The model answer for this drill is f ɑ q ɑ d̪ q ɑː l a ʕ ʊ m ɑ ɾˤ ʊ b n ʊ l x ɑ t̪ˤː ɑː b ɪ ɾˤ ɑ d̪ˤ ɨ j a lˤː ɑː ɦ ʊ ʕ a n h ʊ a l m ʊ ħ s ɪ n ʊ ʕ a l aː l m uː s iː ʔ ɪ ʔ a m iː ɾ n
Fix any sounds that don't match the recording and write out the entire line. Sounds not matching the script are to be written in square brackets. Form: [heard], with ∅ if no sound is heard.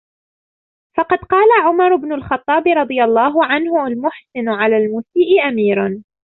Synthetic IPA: f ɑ q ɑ d̪ q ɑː l a ʕ ʊ m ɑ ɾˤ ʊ b n ʊ l x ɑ t̪ˤː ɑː b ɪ ɾˤ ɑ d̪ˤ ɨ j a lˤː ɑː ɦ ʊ ʕ a n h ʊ a l m ʊ ħ s ɪ n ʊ ʕ a l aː l m uː s iː ʔ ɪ ʔ a m iː ɾ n